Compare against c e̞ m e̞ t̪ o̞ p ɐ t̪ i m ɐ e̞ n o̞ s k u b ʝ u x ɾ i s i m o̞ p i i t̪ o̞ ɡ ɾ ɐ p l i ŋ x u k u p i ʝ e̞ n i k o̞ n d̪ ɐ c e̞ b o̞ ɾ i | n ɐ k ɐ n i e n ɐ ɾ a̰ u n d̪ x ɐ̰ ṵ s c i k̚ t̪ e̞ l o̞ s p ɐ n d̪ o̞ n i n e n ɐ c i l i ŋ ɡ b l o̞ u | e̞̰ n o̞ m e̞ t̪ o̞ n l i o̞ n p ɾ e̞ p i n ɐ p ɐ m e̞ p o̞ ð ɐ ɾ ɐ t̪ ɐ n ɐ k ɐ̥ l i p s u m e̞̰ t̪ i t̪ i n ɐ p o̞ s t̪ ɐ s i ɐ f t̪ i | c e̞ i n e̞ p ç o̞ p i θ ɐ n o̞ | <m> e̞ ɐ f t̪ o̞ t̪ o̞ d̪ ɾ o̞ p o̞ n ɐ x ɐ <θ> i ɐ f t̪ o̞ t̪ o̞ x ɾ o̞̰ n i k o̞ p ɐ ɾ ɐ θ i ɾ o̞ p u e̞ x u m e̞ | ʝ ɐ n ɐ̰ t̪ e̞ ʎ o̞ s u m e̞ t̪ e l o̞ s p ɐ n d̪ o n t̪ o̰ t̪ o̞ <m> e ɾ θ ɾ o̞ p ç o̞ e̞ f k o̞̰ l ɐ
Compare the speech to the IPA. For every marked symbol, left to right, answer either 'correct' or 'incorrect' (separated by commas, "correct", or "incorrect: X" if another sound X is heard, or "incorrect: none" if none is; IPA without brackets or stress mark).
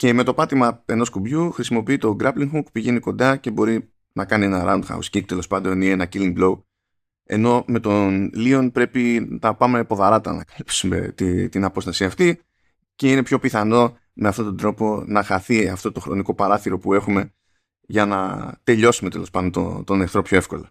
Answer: correct, correct, incorrect: n